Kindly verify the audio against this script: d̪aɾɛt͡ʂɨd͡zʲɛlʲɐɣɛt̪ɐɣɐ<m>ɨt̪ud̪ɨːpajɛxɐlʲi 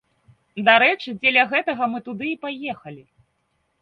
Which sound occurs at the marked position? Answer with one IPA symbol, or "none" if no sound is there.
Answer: m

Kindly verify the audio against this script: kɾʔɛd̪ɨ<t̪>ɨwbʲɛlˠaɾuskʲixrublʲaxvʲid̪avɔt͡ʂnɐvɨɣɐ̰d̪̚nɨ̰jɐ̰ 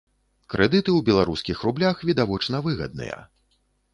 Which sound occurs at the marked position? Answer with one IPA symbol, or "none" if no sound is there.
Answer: t̪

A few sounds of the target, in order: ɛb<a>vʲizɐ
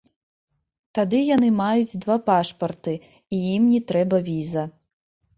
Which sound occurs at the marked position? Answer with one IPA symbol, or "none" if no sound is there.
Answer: ɐ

